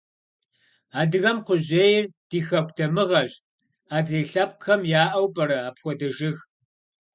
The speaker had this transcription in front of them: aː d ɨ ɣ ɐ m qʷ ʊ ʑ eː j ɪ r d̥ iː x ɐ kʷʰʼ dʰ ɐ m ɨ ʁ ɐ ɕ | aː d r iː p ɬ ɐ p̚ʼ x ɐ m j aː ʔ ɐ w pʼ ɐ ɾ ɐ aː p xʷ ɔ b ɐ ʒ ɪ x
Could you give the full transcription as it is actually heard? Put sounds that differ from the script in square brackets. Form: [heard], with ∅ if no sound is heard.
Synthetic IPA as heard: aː d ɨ ɣ ɐ m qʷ ʊ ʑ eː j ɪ r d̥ iː x ɐ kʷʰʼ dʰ ɐ m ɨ ʁ ɐ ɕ | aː d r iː [∅] ɬ ɐ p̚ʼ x ɐ m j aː ʔ ɐ w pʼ ɐ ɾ ɐ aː p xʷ ɔ [d] ɐ ʒ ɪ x